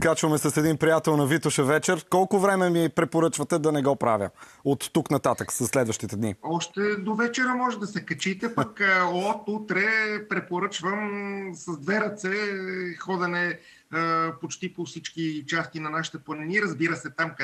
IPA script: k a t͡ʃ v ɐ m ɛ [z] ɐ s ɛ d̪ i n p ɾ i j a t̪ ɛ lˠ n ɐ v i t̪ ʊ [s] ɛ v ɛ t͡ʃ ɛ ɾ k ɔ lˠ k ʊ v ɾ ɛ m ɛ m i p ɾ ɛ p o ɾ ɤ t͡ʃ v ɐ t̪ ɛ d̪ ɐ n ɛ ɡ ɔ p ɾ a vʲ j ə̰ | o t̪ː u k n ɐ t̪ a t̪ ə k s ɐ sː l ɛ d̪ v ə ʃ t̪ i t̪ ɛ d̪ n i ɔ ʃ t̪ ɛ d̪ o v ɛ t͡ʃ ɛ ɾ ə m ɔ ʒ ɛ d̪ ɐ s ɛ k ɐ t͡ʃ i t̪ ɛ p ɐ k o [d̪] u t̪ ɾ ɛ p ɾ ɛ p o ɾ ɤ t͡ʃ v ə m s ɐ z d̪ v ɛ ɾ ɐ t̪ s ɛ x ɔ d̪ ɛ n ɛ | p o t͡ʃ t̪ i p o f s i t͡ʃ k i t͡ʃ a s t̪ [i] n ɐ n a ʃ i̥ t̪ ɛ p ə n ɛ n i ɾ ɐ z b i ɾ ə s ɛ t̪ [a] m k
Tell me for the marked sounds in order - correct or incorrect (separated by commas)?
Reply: incorrect, incorrect, incorrect, correct, correct